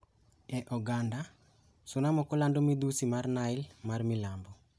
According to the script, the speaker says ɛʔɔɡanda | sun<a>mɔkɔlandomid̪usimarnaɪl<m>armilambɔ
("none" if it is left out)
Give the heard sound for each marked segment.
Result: a, m

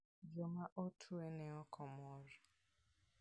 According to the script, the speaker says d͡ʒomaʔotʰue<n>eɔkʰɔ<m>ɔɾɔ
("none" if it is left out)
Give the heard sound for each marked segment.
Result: n, m

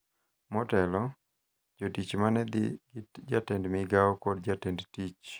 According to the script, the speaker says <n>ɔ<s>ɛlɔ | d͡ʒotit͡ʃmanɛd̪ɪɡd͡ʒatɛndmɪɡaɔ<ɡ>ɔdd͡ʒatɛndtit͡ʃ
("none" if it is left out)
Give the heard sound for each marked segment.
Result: m, t, k

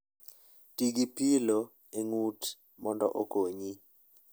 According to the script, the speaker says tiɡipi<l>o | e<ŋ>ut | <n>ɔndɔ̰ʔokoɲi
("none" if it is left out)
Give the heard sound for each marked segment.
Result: l, ŋ, m

